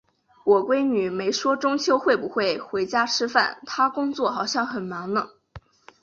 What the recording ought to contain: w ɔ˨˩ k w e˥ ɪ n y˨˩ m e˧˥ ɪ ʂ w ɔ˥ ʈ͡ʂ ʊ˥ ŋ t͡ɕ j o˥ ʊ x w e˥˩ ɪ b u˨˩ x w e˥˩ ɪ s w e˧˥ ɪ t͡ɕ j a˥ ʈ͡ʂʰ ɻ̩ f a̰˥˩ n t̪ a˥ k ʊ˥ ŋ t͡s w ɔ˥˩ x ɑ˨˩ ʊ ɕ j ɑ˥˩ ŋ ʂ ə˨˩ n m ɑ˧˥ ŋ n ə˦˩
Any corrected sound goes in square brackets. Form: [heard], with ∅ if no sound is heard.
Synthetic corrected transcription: w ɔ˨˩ k w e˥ ɪ n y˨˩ m e˧˥ ɪ ʂ w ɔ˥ ʈ͡ʂ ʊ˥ ŋ [t͡ɕʰ] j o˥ ʊ x w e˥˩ ɪ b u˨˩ x w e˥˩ ɪ [x] w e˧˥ ɪ t͡ɕ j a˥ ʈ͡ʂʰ ɻ̩ f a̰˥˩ n [t̪ʰ] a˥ k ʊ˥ ŋ t͡s w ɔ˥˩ x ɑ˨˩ ʊ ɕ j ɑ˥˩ ŋ [x] ə˨˩ n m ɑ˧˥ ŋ n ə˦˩